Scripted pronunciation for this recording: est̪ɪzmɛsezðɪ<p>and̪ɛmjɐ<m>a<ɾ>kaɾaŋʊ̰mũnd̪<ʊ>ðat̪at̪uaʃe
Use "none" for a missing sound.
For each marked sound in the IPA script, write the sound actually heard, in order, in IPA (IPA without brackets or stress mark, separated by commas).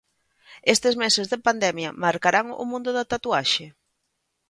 p, m, ɾ, ʊ